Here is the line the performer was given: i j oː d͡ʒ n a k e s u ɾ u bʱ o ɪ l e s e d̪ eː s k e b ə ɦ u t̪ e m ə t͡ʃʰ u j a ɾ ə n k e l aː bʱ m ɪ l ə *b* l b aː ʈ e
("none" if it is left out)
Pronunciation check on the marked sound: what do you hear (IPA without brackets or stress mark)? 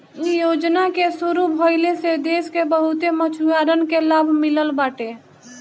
none